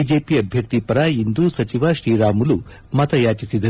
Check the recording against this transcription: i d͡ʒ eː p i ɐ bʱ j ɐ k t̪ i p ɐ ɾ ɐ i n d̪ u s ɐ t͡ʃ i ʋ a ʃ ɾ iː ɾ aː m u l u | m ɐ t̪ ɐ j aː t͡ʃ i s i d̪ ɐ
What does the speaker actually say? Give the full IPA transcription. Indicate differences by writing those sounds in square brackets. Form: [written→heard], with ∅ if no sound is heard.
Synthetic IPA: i d͡ʒ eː p i ɐ bʱ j ɐ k t̪ i p ɐ ɾ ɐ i n d̪ u s ɐ t͡ʃ i ʋ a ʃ ɾ iː ɾ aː m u l u | m ɐ t̪ ɐ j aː t͡ʃ i s i d̪ ɐ

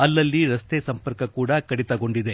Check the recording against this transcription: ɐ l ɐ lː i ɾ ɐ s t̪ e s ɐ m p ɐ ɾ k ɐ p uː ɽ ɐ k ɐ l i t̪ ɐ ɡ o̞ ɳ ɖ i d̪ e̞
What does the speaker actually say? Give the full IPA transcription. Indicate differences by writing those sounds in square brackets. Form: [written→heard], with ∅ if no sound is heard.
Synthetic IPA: ɐ [l→lː] ɐ lː i ɾ ɐ s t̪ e s ɐ m p ɐ ɾ k ɐ [p→k] uː ɽ ɐ k ɐ [l→ɽ] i t̪ ɐ ɡ o̞ ɳ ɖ i d̪ e̞

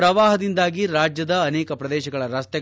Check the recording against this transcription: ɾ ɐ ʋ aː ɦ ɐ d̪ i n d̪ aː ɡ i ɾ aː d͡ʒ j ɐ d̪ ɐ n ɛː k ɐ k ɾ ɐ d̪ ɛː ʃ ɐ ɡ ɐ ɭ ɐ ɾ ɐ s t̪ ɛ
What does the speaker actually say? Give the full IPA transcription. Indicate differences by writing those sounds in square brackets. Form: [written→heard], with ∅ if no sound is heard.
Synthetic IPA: ɾ ɐ ʋ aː ɦ ɐ d̪ i n d̪ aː ɡ i ɾ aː d͡ʒ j ɐ d̪ [ɐ→ɐː] n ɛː k ɐ [k→p] ɾ ɐ d̪ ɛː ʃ ɐ ɡ ɐ ɭ ɐ ɾ ɐ s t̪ ɛ

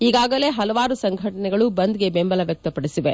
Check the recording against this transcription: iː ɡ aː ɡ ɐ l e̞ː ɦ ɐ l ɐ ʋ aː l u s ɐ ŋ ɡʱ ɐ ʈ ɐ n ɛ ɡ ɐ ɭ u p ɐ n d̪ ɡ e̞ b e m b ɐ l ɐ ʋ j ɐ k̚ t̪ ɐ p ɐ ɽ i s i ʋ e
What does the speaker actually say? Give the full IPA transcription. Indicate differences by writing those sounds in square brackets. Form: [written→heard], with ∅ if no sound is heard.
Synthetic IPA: iː ɡ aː ɡ ɐ l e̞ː ɦ ɐ l ɐ ʋ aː [l→ɾ] u s ɐ ŋ ɡʱ ɐ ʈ ɐ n ɛ ɡ ɐ ɭ u [p→b] ɐ n d̪ ɡ e̞ b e m b ɐ l ɐ ʋ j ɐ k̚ t̪ ɐ p ɐ ɽ i s i ʋ e

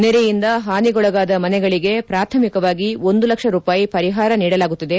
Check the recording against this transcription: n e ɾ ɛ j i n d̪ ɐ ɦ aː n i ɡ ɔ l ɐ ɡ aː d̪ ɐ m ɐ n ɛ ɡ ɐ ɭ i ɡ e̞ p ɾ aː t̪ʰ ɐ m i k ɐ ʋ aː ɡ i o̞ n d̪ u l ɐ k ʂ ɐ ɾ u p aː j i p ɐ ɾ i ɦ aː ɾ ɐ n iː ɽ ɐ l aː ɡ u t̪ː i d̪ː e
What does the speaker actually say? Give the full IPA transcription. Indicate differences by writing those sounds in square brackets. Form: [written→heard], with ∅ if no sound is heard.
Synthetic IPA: n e ɾ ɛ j i n d̪ ɐ ɦ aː n i ɡ ɔ [l→ɭ] ɐ ɡ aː d̪ ɐ m ɐ n ɛ ɡ ɐ ɭ i ɡ e̞ p ɾ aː t̪ʰ ɐ m i k ɐ ʋ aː ɡ i o̞ n d̪ u l ɐ k ʂ ɐ ɾ [u→uː] p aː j i p ɐ ɾ i ɦ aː ɾ ɐ n iː ɽ ɐ l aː ɡ u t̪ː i [d̪ː→d̪] e

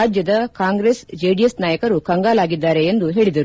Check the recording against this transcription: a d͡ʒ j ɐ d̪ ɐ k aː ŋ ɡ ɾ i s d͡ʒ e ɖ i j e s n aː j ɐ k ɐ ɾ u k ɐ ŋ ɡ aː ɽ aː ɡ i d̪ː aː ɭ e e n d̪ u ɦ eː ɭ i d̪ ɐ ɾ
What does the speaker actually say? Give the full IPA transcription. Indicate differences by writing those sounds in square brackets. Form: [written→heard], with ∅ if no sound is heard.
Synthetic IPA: a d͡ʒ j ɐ d̪ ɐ k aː ŋ ɡ ɾ [i→e] s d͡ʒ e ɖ i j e s n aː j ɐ k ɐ ɾ u k ɐ ŋ ɡ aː [ɽ→l] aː ɡ i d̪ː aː [ɭ→ɾ] e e n d̪ u ɦ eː ɭ i d̪ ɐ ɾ

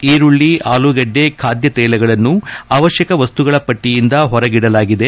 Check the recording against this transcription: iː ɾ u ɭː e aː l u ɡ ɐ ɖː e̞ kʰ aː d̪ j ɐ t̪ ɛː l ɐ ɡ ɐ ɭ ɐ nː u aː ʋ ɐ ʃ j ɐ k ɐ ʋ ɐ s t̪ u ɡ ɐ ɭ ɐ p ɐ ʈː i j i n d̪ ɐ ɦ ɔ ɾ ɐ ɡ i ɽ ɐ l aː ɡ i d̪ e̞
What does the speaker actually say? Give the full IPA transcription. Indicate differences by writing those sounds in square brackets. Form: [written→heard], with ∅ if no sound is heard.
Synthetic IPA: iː ɾ u ɭː [e→i] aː l u ɡ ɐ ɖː e̞ kʰ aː d̪ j ɐ t̪ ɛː l ɐ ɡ ɐ ɭ ɐ nː u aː ʋ ɐ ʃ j ɐ k ɐ ʋ ɐ s t̪ u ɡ ɐ ɭ ɐ p ɐ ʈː i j i n d̪ ɐ ɦ ɔ ɾ ɐ ɡ i ɽ ɐ l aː ɡ i d̪ e̞

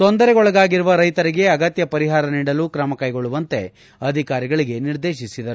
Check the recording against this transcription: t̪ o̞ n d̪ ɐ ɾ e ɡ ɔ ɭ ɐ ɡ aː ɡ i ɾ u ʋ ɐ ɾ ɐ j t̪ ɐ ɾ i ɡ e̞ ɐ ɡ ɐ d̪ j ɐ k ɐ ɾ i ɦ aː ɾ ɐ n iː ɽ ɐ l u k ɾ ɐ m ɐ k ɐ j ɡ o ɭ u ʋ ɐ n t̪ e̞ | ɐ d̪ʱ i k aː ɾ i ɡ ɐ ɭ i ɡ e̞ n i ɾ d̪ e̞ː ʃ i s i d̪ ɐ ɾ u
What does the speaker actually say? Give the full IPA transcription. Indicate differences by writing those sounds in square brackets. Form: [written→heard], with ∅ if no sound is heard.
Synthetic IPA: t̪ o̞ n d̪ ɐ ɾ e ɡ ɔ ɭ ɐ ɡ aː ɡ i ɾ u ʋ ɐ ɾ ɐ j t̪ ɐ ɾ i ɡ e̞ ɐ ɡ ɐ [d̪→t̪] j ɐ [k→p] ɐ ɾ i ɦ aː ɾ ɐ n iː ɽ ɐ l u k ɾ ɐ m ɐ k ɐ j ɡ o ɭ u ʋ ɐ n t̪ e̞ | ɐ d̪ʱ i k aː ɾ i ɡ ɐ ɭ i ɡ e̞ n i ɾ d̪ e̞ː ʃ i s i d̪ ɐ ɾ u

